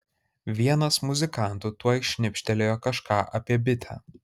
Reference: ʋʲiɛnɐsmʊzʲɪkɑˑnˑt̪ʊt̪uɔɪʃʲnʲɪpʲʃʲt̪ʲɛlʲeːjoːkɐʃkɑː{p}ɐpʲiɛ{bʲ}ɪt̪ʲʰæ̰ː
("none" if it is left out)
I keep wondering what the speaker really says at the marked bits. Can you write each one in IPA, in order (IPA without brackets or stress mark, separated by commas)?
ʔ, bʲ